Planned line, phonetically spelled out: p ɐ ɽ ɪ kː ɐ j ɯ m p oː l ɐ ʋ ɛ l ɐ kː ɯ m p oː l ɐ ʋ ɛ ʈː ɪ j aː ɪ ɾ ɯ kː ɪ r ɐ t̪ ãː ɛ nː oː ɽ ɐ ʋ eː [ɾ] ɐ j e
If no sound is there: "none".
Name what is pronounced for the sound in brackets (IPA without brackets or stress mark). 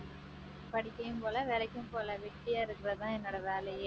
l